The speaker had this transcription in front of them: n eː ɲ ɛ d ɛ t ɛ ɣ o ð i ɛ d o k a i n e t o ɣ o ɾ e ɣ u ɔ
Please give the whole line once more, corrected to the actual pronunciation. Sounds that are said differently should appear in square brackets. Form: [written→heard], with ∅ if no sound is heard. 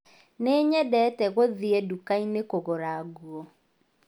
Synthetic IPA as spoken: n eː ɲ ɛ d ɛ t ɛ ɣ o ð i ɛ d [o→u] k a i n e [t→k] o ɣ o ɾ [e→a] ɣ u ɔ